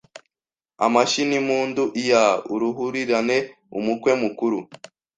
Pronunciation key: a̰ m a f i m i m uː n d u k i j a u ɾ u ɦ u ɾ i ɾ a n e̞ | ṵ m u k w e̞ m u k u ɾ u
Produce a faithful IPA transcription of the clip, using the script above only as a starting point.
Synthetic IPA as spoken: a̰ m a ʃ i n i m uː n d u ʔ i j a u ɾ u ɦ u ɾ i ɾ a n e̞ | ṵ m u k w e̞ m u k u ɾ u